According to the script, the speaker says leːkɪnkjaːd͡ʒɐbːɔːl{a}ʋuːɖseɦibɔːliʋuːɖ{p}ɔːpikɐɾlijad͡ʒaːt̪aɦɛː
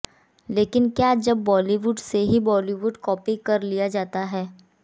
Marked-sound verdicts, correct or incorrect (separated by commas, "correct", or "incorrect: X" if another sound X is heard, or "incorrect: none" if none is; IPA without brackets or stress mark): incorrect: i, incorrect: k